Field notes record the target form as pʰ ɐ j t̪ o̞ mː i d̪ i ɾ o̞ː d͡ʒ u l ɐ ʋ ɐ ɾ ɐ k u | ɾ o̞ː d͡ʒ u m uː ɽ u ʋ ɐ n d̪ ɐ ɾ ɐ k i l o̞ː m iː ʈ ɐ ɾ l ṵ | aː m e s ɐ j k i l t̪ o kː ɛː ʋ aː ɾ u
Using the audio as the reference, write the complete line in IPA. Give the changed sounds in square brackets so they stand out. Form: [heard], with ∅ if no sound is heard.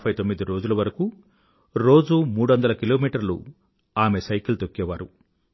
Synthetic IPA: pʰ ɐ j t̪ o̞ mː i d̪ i ɾ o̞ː d͡ʒ u l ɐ ʋ ɐ ɾ ɐ k u | ɾ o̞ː d͡ʒ u m uː ɽ u ʋ ɐ n d̪ ɐ [l] ɐ k i l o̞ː m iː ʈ ɐ ɾ l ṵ | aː m e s ɐ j k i l t̪ o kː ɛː ʋ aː ɾ u